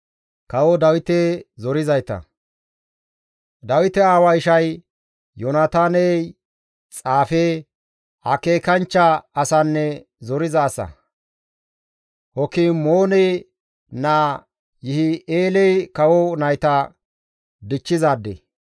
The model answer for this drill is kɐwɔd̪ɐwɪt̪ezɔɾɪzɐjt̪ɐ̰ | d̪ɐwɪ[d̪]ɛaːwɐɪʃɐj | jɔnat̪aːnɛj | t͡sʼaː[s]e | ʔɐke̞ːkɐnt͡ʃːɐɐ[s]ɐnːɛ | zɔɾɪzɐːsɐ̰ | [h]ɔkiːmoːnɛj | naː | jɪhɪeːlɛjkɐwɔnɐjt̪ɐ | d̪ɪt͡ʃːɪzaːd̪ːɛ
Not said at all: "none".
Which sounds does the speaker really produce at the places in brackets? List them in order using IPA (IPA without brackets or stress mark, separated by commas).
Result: t̪, f, s, h